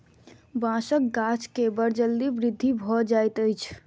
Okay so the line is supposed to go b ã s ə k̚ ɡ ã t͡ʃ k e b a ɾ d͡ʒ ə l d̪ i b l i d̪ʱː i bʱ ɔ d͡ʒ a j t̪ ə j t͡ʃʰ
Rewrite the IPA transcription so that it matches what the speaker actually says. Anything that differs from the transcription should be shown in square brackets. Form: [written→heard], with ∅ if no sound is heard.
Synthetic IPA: b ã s ə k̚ ɡ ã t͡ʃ k e b [a→ə] ɾ d͡ʒ ə l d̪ i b [l→ɾ] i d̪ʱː i bʱ ɔ d͡ʒ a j t̪ ə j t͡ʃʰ